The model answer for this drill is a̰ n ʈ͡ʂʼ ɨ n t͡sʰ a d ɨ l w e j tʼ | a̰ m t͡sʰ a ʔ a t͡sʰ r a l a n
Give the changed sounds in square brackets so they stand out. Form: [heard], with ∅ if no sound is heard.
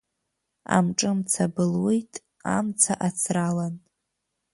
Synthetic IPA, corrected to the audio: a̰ [m] ʈ͡ʂʼ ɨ [m] t͡sʰ a [b] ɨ l w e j tʼ | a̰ m t͡sʰ a ʔ a t͡sʰ r a l a n

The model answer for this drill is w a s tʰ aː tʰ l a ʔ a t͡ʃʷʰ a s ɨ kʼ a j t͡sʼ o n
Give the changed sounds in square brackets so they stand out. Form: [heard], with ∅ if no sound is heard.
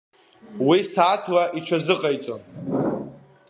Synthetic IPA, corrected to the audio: w [i] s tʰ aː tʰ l a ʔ [i] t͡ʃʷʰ a [z] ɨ [qʼ] a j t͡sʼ o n

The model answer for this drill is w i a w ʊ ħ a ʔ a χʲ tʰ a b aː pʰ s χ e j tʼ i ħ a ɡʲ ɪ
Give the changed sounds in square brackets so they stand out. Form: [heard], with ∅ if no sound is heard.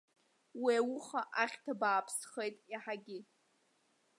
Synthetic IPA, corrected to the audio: w i a w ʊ [χ] a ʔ a χʲ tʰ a b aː pʰ s χ e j tʼ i ħ a ɡʲ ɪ

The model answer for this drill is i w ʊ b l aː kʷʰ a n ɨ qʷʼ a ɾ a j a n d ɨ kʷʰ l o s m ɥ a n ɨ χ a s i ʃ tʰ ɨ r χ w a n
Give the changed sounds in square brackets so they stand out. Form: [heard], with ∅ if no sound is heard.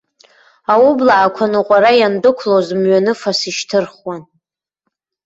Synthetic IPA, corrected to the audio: [a] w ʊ b l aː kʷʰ a n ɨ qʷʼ a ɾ a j a n d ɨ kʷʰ l o [z] m ɥ a n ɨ [f] a s i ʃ tʰ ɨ r χ w a n

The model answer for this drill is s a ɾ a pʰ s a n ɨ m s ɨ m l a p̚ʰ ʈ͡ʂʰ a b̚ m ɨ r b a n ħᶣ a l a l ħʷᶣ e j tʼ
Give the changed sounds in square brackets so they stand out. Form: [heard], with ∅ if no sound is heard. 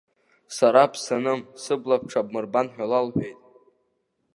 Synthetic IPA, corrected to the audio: s a ɾ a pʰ s a n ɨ m s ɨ [b] l a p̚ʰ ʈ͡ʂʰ a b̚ m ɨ r b a n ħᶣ a l a l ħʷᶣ e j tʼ

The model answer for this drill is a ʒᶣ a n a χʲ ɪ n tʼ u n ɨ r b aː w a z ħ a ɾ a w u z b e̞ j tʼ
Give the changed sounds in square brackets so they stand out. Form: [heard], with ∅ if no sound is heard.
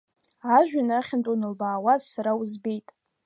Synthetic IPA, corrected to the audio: a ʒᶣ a n a χʲ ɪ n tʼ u n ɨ [l] b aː w a z [s] a ɾ a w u z b e̞ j tʼ

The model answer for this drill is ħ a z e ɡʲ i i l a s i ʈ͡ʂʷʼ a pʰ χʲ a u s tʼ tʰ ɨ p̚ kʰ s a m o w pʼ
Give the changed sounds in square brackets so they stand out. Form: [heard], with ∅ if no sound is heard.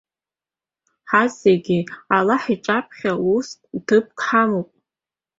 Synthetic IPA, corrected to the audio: ħ a z e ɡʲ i [a] l a [ħ] i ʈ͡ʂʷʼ a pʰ χʲ a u s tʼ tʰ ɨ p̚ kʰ [ħ] a m o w pʼ

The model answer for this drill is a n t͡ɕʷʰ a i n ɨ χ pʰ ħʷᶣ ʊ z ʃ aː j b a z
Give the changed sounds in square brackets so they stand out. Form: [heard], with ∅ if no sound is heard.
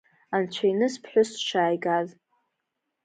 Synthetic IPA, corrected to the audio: a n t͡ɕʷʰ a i n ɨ [s] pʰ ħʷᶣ ʊ [s] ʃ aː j [ɡ] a z

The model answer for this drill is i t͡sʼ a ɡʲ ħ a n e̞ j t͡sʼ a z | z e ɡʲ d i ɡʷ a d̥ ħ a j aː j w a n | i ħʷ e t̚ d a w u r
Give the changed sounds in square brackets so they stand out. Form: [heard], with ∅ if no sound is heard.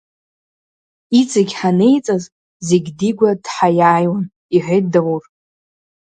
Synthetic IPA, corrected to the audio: i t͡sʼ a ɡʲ ħ a n e̞ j t͡sʼ a z | z e ɡʲ d i ɡʷ a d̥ ħ a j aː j w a n | i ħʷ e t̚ d a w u r

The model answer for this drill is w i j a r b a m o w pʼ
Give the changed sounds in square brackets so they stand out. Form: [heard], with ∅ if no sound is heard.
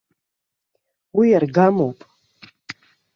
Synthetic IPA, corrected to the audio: w i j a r [ɡ] a m o w pʼ

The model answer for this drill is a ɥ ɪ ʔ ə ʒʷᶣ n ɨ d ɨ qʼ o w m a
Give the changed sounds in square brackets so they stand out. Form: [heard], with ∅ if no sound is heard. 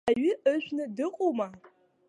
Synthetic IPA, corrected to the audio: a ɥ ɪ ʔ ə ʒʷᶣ n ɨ d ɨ qʼ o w m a

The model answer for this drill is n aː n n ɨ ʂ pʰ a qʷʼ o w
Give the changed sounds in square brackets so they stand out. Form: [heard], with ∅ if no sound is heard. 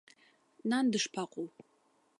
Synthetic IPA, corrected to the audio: n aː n [d] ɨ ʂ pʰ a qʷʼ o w

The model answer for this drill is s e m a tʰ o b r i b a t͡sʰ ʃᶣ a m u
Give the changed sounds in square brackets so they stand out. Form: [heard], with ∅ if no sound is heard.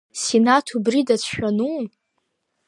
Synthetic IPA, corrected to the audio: s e [n] a tʰ [u] b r i [d] a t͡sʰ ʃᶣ a [n] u

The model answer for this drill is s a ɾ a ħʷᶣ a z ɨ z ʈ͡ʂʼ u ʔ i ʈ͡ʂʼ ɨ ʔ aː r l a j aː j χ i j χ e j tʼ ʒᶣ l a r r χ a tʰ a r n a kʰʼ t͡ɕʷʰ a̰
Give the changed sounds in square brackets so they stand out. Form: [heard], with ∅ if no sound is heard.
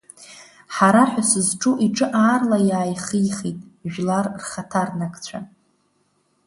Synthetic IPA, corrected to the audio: [ħ] a ɾ a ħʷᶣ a [s] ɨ z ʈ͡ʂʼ u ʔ i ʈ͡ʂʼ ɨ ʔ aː r l a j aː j χ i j χ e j tʼ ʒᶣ l a r r χ a tʰ a r n a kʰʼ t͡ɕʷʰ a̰

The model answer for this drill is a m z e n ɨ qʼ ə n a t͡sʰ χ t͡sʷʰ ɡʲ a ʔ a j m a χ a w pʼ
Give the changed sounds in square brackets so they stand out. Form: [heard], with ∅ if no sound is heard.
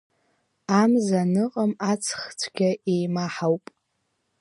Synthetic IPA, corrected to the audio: a m z [a] n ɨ qʼ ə [m] a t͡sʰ χ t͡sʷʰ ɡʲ a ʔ [e] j m a [ħ] a w pʼ

